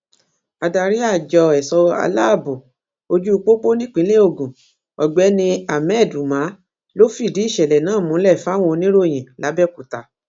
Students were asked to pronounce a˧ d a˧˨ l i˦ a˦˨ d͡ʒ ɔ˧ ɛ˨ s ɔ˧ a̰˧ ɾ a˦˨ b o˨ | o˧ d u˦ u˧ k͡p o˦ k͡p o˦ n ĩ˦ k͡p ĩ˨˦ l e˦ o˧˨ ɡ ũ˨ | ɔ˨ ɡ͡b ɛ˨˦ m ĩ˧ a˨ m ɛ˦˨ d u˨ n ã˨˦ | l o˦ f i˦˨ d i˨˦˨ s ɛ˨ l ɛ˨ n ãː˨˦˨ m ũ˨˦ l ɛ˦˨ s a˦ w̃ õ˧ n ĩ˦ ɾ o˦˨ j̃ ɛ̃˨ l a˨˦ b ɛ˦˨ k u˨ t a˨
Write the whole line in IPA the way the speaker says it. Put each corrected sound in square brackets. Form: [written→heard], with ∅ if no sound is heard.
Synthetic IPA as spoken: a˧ d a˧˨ [l→ɾ] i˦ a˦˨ d͡ʒ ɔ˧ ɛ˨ s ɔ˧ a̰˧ [ɾ→l] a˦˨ b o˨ | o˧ [d→d͡ʒ] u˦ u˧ k͡p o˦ k͡p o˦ n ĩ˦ k͡p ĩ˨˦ l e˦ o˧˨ ɡ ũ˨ | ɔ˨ ɡ͡b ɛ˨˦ [m→n] ĩ˧ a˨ m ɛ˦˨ d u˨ [n→m] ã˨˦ | l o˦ f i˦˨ d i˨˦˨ [s→ʃ] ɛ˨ l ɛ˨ n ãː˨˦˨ m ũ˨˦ l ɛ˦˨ [s→f] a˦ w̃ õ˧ n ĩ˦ ɾ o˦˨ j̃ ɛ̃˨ l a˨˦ b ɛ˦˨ k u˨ t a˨